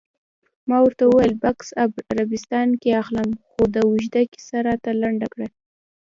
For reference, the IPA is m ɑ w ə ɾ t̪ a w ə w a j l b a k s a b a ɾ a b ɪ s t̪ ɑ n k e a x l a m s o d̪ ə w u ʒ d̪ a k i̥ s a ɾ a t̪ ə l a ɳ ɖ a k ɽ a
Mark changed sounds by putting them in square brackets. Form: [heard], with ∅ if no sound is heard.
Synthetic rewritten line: m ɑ w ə ɾ t̪ a w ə w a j l b a k s a b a ɾ a b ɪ s t̪ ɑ n k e a x l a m [x] o d̪ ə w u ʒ d̪ a k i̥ s a ɾ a t̪ [a] l a ɳ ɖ a k ɽ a